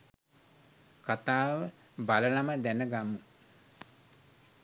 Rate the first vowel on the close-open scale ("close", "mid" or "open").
open